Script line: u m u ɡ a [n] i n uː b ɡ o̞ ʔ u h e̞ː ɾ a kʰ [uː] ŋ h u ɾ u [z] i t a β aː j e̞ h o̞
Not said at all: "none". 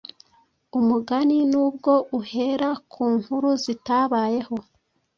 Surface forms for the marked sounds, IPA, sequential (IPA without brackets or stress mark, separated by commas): n, uː, z